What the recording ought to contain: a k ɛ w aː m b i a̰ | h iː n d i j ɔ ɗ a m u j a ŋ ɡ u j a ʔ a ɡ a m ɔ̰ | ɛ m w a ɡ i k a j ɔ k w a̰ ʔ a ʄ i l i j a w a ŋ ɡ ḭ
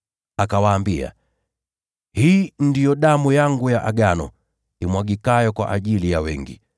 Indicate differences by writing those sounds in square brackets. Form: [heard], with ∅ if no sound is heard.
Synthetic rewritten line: a k [a] w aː m b i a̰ | h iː n d i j ɔ ɗ a m u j a ŋ ɡ u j a ʔ a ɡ a [n] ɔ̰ | [i] m w a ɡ i k a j ɔ k w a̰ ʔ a ʄ i l i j a w [ɛ] ŋ ɡ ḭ